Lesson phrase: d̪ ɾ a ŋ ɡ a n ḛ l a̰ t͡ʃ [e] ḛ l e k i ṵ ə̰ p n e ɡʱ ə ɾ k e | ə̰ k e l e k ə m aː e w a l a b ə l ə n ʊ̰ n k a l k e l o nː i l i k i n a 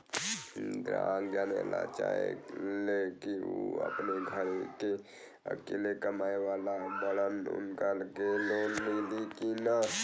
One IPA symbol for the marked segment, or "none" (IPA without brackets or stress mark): a